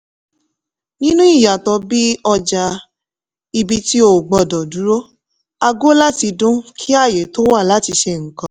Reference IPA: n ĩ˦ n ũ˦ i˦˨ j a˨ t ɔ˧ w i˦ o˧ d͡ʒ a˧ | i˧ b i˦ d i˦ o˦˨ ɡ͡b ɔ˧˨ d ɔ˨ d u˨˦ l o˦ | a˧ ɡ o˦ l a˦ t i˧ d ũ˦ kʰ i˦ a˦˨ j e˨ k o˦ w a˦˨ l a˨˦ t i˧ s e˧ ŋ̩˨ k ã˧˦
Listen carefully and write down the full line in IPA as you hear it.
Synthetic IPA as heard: n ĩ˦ n ũ˦ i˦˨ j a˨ t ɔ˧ b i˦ ɔ˧ d͡ʒ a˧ | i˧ b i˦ t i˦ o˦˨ ɡ͡b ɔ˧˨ d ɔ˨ d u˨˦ ɾ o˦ | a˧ ɡ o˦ l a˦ t i˧ d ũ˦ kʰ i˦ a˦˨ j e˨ t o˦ w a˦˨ l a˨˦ t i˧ ʃ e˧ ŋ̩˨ k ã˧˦

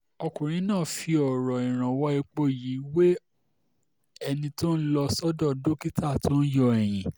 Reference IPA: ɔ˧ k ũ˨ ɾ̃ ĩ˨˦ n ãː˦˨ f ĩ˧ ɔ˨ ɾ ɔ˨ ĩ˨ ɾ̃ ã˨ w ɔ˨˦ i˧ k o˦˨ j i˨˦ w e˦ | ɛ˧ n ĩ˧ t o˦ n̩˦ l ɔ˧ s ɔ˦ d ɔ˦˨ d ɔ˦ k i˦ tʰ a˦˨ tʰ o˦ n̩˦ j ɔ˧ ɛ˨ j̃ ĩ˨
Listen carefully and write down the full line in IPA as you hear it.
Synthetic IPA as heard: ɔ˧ k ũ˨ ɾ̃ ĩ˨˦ n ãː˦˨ f i˧ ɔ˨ ɾ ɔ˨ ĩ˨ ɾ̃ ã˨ w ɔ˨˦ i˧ k͡p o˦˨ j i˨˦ w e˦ | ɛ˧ n ĩ˧ t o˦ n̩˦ l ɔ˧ s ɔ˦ d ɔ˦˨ d o˦ k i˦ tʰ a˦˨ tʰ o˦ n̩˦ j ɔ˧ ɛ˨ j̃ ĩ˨

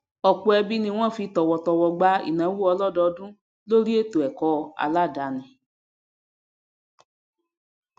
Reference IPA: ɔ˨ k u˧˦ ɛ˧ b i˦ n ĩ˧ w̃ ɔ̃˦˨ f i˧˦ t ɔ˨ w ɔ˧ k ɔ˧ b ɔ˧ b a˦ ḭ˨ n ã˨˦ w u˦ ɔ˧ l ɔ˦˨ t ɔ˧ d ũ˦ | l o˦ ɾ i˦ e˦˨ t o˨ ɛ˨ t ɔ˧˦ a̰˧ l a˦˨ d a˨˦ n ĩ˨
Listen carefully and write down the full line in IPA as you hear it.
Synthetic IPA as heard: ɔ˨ k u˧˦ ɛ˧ b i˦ n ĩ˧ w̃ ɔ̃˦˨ f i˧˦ t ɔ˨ w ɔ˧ t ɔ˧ w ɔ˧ ɡ͡b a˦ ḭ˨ n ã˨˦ w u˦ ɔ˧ l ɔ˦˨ d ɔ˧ d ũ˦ | l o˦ ɾ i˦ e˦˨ t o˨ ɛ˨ k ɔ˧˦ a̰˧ l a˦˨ d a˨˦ n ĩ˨

